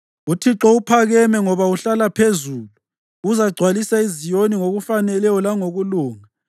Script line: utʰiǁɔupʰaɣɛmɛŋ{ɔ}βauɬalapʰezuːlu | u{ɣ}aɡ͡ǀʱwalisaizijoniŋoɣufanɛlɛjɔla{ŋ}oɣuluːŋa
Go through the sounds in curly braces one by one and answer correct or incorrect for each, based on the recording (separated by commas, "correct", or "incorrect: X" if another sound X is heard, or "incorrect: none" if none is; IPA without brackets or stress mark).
correct, incorrect: z, correct